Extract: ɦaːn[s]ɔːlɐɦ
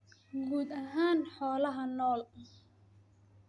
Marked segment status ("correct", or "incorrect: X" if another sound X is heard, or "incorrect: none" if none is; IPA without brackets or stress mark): incorrect: ħ